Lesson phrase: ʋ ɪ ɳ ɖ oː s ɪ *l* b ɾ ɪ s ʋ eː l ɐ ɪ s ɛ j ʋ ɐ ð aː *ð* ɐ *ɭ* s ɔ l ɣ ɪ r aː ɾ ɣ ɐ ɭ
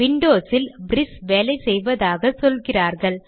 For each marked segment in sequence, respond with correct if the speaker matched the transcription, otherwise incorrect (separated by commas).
correct, incorrect, incorrect